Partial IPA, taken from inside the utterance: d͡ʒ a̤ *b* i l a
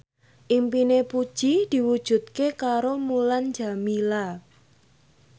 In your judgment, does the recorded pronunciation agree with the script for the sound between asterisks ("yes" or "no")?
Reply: no